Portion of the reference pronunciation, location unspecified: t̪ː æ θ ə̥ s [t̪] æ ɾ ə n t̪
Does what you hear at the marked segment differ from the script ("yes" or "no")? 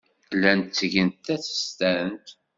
no